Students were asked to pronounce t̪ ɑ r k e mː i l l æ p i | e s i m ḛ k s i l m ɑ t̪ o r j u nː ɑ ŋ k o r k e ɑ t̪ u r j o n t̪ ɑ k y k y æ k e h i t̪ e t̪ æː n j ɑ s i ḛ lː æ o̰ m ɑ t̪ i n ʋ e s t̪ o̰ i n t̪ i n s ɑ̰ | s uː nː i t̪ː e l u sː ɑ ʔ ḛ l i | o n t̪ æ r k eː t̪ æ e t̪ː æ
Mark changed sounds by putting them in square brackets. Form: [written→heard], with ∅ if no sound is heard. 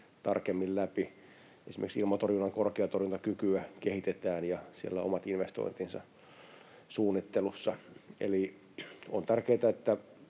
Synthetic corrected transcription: t̪ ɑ r k e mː i l l æ p i | e s i m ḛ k s i l m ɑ t̪ o r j u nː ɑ ŋ k o r k e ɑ t̪ [u→o] r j [o→u] n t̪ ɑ k y k y æ k e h i t̪ e t̪ æː n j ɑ s i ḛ lː æ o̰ m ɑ t̪ i n ʋ e s t̪ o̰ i n t̪ i n s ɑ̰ | s uː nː i t̪ː e l u sː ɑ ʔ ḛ l i | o n t̪ æ r k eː t̪ æ e t̪ː æ